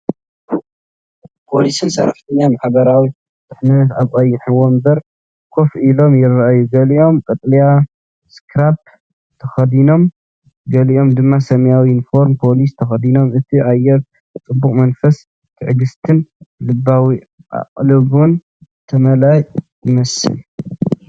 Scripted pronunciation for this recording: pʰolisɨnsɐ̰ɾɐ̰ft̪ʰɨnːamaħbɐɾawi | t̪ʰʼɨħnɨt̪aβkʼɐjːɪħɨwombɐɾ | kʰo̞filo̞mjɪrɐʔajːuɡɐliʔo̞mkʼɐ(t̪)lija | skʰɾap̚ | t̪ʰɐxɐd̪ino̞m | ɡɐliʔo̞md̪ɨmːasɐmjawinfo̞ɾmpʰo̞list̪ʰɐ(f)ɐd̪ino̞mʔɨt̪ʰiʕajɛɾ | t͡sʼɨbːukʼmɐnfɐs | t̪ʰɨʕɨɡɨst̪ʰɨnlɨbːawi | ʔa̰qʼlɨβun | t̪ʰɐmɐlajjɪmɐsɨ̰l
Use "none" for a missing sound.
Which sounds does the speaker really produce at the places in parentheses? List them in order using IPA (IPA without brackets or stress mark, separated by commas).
t̪ʼ, x